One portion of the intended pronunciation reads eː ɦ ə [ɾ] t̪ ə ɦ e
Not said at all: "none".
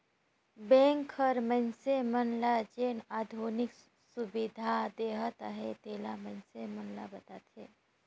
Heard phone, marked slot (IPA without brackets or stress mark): none